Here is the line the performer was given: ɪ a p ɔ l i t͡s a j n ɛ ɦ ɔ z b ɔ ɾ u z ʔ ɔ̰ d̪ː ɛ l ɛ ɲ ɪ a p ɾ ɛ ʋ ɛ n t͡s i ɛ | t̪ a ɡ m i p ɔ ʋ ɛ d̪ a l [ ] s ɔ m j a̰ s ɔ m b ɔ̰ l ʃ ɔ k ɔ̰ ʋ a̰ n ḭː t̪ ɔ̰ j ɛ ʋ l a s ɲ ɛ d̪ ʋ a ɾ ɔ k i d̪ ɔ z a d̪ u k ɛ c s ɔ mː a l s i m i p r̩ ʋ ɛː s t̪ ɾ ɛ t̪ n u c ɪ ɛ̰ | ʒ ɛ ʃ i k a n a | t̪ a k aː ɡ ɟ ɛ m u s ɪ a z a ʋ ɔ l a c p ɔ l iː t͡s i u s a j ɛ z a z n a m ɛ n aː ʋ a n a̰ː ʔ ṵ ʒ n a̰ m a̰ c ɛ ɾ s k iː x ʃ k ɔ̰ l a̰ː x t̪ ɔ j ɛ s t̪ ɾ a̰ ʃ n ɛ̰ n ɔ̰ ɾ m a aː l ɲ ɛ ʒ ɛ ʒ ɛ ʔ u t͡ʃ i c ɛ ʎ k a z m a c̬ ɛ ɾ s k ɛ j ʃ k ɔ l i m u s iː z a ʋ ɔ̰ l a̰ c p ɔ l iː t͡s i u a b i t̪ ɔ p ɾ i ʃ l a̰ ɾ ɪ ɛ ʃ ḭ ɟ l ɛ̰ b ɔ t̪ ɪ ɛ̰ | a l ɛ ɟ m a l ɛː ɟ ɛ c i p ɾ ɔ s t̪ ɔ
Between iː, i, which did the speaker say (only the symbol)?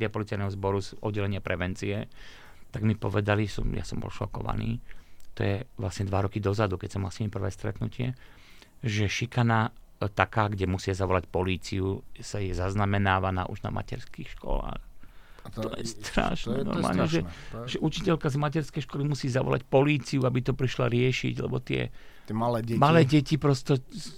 i